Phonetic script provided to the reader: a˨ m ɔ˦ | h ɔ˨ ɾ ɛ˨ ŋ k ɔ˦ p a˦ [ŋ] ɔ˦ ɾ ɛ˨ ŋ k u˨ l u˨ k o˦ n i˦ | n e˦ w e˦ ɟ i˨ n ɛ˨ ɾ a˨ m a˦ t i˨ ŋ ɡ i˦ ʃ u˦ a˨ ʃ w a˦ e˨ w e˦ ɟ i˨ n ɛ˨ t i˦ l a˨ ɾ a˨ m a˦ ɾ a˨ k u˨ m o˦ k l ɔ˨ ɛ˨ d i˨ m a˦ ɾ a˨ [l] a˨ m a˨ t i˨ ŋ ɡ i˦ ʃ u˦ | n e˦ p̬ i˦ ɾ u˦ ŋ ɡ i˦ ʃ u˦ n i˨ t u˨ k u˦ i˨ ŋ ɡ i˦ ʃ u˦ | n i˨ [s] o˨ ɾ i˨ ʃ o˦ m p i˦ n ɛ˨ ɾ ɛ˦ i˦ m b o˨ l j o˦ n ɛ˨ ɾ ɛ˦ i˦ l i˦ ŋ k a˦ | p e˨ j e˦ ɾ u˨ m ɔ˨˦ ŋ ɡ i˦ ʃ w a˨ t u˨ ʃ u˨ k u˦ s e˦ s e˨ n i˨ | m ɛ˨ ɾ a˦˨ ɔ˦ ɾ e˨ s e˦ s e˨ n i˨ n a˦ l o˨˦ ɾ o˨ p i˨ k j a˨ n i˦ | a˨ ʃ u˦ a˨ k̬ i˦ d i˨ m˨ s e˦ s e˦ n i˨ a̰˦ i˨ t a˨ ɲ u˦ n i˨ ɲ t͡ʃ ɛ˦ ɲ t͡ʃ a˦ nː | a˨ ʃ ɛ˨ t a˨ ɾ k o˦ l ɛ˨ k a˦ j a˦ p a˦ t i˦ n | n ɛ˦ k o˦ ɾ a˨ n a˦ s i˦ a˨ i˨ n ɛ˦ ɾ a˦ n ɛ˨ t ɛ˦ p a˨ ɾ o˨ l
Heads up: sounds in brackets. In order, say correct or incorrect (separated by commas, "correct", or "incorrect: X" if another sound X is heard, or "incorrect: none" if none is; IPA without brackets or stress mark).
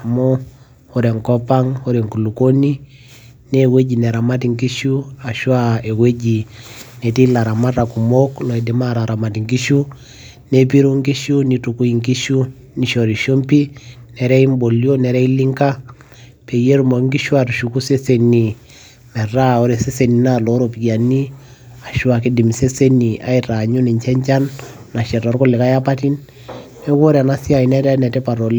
correct, incorrect: ɾ, incorrect: ʃ